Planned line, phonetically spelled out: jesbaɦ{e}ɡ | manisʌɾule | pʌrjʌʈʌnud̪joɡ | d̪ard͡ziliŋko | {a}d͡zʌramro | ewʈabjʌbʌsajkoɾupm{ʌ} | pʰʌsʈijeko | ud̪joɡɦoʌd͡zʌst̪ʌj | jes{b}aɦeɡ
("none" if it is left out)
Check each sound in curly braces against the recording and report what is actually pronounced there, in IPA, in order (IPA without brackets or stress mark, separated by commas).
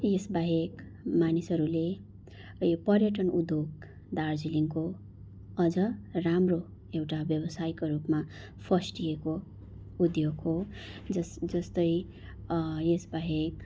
e, ʌ, a, b